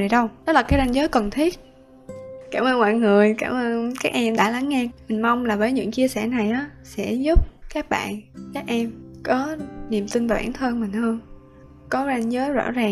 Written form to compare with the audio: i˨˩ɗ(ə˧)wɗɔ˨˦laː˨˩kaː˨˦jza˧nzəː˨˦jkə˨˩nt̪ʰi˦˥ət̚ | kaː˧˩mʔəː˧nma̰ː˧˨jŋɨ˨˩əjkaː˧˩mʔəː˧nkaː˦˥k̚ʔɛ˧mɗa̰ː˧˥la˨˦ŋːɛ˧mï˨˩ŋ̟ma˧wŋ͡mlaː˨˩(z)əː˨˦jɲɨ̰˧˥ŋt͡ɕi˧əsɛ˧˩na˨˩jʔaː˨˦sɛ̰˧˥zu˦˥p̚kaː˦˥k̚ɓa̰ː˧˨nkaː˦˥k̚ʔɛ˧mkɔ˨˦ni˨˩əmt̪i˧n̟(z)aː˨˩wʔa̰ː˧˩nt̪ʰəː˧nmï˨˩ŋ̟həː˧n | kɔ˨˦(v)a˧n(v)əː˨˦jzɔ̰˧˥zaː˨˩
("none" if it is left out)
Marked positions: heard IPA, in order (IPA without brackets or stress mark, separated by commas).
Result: ə˧, v, v, z, z